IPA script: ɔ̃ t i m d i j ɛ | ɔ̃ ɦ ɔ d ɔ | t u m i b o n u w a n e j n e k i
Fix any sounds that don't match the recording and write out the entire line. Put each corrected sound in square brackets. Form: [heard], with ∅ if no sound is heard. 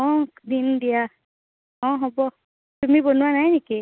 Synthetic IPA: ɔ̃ [d] i [n] d i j [a] | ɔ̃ ɦ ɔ [b] ɔ | t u m i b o n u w a n [a] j n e k i